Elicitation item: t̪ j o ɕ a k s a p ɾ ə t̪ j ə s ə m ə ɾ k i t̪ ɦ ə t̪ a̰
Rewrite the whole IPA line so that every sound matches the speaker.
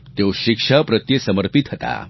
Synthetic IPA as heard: t̪ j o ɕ i k ʂ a p ɾ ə t̪ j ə s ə m ə ɾ p i t̪ ɦ ə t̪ a̰